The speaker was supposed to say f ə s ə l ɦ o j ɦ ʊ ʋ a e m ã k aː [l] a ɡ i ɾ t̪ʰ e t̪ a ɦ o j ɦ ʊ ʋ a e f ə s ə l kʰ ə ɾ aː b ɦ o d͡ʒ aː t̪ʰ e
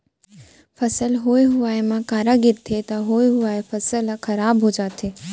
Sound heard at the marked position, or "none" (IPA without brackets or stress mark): ɾ